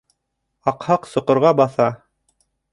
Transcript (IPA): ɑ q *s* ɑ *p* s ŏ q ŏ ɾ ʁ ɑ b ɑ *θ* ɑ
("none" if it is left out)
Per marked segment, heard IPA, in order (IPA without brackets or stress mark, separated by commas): h, q, θ